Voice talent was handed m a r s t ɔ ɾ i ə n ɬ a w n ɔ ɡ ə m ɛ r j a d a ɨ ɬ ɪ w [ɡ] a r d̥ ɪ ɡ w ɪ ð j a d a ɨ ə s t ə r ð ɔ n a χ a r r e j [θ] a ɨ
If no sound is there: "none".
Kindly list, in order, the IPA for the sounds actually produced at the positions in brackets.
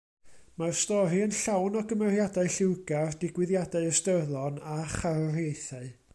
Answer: ɡ, θ

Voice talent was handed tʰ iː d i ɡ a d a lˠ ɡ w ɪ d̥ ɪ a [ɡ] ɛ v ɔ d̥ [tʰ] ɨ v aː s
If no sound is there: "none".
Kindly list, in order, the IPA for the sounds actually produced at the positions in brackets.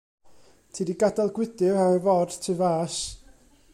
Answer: none, tʰ

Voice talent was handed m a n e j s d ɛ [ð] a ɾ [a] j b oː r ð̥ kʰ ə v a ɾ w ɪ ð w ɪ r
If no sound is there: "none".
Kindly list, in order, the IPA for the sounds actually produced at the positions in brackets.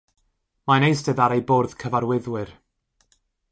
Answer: ð, e

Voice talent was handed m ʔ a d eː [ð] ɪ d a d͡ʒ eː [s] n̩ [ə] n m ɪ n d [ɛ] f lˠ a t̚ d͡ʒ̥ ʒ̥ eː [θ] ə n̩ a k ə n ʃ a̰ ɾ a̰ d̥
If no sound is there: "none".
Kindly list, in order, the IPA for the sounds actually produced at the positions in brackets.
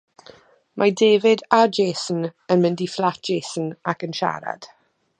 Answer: v, s, ə, i, s

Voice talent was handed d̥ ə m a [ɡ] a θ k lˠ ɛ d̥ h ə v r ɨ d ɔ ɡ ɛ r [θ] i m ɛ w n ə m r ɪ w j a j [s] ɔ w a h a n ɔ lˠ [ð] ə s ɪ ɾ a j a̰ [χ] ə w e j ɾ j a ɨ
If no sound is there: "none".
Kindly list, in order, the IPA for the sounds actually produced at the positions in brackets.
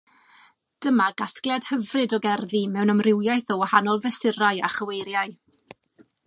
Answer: ɡ, ð, θ, v, χ

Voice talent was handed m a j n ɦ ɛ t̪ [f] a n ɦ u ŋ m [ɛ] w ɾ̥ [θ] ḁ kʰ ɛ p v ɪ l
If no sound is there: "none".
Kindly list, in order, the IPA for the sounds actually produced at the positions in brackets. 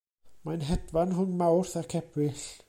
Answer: v, a, θ

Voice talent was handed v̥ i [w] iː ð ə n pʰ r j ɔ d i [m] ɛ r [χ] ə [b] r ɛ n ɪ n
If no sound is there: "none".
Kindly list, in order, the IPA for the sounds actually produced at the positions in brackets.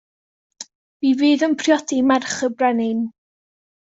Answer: v, m, χ, b

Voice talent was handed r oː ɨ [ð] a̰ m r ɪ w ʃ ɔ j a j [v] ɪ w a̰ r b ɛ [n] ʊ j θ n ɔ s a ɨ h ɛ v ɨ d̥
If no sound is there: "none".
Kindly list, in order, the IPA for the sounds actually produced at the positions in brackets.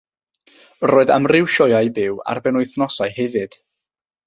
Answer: ð, b, n

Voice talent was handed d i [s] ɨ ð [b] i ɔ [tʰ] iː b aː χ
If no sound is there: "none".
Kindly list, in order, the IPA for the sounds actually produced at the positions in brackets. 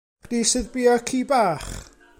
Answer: s, b, kʰ

